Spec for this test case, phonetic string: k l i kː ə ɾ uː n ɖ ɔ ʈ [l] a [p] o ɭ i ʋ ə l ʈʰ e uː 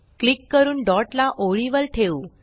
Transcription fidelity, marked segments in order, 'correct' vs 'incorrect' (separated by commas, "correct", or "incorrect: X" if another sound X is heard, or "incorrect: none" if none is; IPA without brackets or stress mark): correct, incorrect: ʔ